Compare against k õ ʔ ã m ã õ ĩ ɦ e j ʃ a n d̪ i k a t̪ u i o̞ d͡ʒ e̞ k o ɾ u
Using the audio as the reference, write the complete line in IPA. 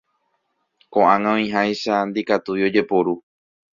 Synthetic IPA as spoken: k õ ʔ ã ŋ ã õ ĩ ɦ a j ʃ a n d̪ i k a t̪ u i o̞ d͡ʒ e̞ p o ɾ u